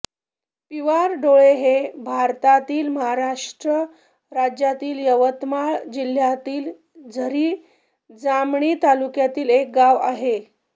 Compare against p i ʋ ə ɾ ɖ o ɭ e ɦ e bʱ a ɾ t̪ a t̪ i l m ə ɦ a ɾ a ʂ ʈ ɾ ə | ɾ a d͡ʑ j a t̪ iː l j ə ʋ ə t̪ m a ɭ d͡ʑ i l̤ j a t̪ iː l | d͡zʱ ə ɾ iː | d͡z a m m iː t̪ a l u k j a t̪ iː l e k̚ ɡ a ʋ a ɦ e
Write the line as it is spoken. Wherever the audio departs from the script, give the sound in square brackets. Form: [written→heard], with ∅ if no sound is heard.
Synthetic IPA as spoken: p i ʋ [ə→a] ɾ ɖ o ɭ e ɦ e bʱ a ɾ t̪ a t̪ [i→iː] l m ə ɦ a ɾ a ʂ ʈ ɾ ə | ɾ a d͡ʑ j a t̪ iː l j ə ʋ ə t̪ m a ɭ d͡ʑ i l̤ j a t̪ iː l | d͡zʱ ə ɾ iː | d͡z a m [m→ɳ] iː t̪ a l u k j a t̪ iː l e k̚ ɡ a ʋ a ɦ e